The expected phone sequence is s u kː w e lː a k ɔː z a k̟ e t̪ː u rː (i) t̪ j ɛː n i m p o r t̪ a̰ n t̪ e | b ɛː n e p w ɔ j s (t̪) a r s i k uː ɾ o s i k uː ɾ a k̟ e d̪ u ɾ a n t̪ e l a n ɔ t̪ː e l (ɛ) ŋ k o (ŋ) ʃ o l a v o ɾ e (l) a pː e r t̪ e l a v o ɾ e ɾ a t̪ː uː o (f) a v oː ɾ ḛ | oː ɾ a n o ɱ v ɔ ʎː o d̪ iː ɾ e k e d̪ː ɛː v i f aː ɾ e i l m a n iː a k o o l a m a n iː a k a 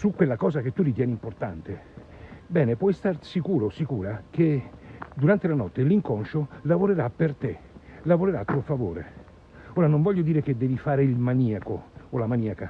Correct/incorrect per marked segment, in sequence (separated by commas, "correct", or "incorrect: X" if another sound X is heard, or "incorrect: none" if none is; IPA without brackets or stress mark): correct, correct, incorrect: i, incorrect: n, incorrect: ɾ, correct